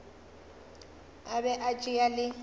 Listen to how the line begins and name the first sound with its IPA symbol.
a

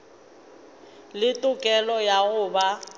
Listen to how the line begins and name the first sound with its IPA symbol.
l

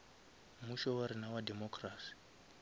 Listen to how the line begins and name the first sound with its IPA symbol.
m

